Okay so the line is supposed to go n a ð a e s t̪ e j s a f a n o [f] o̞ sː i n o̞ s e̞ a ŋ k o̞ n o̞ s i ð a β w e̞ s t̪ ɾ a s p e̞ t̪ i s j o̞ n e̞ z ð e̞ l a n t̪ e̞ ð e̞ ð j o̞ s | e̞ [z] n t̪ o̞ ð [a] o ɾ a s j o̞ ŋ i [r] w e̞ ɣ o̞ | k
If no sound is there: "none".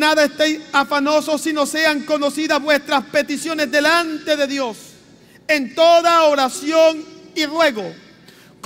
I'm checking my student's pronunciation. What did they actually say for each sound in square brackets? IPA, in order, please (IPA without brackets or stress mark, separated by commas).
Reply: s, none, a, r